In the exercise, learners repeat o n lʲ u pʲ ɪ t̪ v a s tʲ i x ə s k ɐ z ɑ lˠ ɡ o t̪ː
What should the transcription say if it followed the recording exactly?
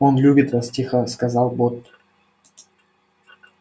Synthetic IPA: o n lʲ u bʲ ɪ t̪ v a s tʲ i x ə s k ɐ z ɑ lˠ b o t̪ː